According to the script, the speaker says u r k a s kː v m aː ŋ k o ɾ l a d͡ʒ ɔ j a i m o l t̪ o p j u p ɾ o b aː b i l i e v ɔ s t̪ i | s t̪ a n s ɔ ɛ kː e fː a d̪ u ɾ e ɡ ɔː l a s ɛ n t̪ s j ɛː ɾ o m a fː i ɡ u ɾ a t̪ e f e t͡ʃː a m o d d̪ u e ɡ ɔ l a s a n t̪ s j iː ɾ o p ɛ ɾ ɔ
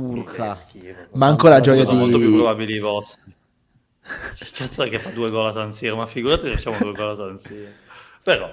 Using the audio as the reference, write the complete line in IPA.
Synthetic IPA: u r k a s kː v m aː ŋ k o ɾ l a d͡ʒ ɔ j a i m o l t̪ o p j u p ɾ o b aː b i l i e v ɔ s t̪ i | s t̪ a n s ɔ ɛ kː e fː a d̪ u e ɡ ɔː l a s a n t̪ s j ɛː ɾ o m a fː i ɡ u ɾ a t̪ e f a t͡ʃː a m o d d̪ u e ɡ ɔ l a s a n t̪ s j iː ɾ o p e ɾ ɔ